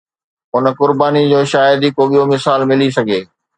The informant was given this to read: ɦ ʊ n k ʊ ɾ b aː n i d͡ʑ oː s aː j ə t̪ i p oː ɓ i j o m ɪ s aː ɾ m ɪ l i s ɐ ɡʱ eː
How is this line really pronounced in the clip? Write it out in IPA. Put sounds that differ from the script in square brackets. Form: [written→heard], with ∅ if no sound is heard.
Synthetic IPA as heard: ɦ ʊ n k ʊ ɾ b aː n i d͡ʑ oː [s→ʃ] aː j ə [t̪→d̪] i [p→k] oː ɓ i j o m ɪ s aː [ɾ→l] m ɪ l i s ɐ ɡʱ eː

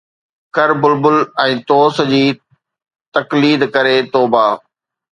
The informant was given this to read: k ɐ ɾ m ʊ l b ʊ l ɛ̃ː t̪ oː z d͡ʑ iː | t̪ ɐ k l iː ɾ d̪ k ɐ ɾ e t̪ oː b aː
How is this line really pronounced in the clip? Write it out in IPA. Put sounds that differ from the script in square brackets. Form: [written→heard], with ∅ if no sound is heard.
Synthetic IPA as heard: k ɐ ɾ [m→b] ʊ l b ʊ l ɛ̃ː t̪ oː [z→s] d͡ʑ iː | t̪ ɐ k l iː [ɾ→∅] d̪ k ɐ ɾ e t̪ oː b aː

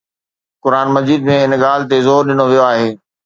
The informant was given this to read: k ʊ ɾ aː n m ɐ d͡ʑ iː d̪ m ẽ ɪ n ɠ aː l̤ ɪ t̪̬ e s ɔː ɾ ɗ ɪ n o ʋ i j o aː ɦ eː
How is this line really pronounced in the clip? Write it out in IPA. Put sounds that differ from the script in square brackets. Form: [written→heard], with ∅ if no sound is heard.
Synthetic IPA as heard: k ʊ ɾ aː n m ɐ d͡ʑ iː d̪ m ẽ ɪ n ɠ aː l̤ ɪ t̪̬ e [s→z] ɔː ɾ ɗ ɪ n o ʋ i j o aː ɦ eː

